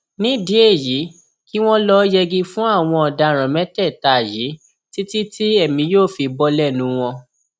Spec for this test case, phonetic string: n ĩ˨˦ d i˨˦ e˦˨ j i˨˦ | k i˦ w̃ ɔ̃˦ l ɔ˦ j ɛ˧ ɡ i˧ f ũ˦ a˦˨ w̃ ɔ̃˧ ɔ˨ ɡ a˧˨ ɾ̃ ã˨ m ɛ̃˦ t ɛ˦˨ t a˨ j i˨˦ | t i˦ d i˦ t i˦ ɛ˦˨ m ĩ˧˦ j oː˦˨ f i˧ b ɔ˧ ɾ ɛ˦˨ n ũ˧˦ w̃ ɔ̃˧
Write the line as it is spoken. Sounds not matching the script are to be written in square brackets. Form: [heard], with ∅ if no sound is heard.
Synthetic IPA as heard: n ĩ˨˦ d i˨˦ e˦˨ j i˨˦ | k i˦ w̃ ɔ̃˦ l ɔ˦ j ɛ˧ ɡ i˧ f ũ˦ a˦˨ w̃ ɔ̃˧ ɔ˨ [d] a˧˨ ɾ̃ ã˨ m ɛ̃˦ t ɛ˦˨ t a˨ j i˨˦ | t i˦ [t] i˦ t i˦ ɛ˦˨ m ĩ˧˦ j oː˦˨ f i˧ b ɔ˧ [l] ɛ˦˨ n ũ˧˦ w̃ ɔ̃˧